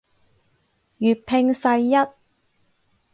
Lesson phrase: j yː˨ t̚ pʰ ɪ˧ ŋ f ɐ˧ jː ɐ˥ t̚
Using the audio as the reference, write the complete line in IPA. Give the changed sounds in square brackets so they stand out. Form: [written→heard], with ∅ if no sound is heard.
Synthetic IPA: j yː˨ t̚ pʰ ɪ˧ ŋ [f→s] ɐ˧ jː ɐ˥ t̚

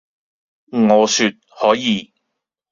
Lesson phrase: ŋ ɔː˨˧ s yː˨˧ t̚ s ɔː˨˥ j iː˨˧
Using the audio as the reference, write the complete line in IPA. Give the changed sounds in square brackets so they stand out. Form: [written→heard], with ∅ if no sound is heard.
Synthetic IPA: ŋ ɔː˨˧ s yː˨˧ t̚ [s→h] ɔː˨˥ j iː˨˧

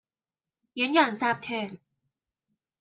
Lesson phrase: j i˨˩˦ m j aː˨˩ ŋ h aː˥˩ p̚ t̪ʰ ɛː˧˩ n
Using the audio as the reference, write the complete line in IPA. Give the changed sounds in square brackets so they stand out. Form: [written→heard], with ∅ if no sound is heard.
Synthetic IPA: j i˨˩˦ [m→n] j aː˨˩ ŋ [h→s] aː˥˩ p̚ t̪ʰ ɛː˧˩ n

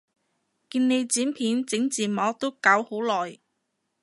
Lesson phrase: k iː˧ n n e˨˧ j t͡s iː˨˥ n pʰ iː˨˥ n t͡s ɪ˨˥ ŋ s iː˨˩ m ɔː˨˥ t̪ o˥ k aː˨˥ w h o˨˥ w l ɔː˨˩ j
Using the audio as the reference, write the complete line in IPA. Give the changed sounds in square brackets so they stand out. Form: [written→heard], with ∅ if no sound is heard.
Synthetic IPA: k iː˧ n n e˨˧ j t͡s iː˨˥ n pʰ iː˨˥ n t͡s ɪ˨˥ ŋ [s→t͡s] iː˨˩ m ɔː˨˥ t̪ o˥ k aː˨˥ w h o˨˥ w l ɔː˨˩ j

